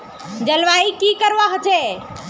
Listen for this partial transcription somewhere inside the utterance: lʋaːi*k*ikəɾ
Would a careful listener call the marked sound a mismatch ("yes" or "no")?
no